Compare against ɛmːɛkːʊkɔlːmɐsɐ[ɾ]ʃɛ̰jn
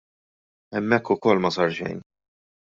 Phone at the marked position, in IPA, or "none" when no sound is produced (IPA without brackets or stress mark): ɾ